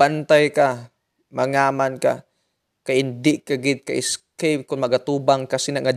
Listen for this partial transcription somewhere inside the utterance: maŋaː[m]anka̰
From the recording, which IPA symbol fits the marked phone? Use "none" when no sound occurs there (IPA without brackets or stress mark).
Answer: m